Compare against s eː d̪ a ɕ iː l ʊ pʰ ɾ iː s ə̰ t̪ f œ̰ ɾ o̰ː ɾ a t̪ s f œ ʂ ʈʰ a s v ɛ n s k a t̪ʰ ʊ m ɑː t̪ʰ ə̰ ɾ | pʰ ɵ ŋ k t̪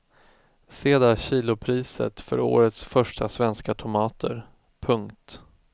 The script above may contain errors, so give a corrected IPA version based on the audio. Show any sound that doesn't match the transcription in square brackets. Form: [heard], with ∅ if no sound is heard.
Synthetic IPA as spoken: s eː d̪ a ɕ iː l ʊ pʰ ɾ iː s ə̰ t̪ f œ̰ ɾ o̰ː ɾ [ə] t̪ s f œ ʂ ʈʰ a s v ɛ n s k a t̪ʰ ʊ m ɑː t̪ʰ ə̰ ɾ | pʰ ɵ ŋ k t̪